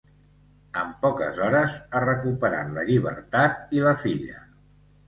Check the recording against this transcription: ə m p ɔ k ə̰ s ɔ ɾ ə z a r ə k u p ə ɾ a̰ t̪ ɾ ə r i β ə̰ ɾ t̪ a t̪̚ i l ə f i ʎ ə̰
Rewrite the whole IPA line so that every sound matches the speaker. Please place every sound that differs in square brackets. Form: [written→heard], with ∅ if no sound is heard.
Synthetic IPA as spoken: ə m p ɔ k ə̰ [s→z] ɔ ɾ ə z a r ə k u p ə ɾ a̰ t̪ [ɾ→l] ə [r→ʎ] i β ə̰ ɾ t̪ a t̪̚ i l ə f i ʎ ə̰